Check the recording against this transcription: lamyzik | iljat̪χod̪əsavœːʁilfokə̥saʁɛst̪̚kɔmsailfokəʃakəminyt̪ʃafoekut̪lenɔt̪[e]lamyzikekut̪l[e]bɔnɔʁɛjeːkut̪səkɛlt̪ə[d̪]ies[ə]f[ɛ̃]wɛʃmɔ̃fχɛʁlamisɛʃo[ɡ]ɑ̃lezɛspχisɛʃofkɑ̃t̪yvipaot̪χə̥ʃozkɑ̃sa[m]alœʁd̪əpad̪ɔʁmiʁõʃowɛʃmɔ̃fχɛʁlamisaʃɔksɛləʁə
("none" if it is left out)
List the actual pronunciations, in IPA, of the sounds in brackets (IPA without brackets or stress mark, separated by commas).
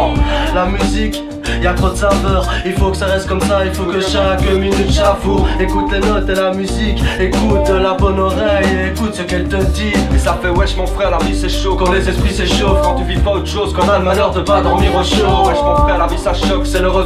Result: e, a, d̪, a, ɛ, k, m